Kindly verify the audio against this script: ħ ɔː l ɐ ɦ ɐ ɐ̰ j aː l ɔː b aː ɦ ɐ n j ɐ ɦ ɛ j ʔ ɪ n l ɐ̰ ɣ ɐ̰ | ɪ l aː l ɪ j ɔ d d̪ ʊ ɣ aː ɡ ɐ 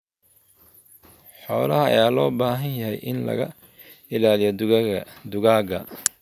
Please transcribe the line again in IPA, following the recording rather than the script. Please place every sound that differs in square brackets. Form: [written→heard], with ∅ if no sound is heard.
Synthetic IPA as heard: ħ ɔː l ɐ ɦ ɐ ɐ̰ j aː l ɔː b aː ɦ ɐ n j ɐ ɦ ɛ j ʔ ɪ n l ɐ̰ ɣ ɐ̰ | ɪ l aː l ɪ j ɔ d d̪ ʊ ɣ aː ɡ ɐ